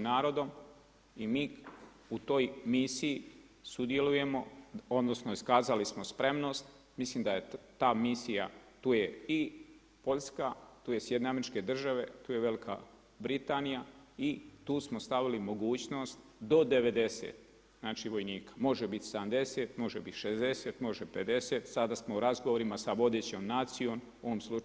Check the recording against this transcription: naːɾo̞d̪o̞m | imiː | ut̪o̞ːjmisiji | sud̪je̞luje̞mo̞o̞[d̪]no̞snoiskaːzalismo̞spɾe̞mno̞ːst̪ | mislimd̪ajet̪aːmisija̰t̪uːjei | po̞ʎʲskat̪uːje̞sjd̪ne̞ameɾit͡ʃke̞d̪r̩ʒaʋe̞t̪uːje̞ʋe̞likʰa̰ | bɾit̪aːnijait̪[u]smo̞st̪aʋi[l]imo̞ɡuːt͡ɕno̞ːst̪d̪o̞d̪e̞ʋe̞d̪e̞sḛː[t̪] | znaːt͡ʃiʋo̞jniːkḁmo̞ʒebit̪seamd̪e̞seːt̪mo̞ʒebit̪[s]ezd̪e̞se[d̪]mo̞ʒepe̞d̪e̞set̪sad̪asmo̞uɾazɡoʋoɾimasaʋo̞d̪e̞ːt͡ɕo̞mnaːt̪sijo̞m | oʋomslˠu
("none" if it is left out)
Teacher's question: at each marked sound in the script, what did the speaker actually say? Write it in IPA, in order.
d̪, uː, l, t̪, ʃ, t̪

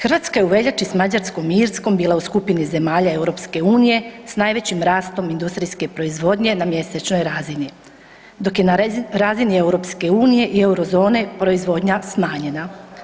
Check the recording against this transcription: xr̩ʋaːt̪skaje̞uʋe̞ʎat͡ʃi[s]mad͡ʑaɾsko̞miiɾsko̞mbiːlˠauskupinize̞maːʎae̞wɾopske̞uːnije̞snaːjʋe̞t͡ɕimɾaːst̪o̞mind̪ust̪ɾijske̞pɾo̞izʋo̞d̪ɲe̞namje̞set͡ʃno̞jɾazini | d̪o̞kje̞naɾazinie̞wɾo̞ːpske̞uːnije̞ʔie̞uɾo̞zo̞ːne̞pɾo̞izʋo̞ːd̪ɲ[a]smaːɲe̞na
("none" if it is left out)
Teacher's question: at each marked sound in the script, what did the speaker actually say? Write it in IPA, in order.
s, a

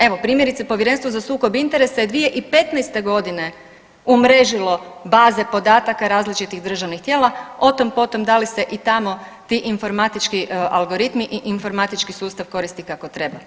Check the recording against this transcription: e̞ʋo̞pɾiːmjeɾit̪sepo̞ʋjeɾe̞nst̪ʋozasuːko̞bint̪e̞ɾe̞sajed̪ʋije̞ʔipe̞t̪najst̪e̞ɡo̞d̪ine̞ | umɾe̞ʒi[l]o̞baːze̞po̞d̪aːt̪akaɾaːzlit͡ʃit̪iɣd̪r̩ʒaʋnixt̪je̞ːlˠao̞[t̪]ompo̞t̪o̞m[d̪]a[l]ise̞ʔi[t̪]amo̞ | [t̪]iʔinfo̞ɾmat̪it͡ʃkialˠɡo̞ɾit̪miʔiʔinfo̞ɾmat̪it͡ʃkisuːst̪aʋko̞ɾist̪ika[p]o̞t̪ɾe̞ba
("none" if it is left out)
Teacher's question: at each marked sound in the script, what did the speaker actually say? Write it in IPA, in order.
l, t̪, d̪, l, t̪, t̪, k

